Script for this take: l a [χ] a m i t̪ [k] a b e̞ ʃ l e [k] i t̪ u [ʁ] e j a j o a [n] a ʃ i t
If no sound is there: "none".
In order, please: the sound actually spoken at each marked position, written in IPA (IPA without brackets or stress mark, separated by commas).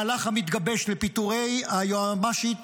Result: χ, ɡ, p, ʁ, m